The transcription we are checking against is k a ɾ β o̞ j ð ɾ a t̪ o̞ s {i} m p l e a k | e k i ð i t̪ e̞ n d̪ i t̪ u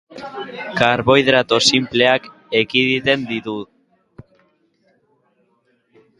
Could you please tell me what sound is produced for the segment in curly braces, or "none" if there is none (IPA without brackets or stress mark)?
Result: i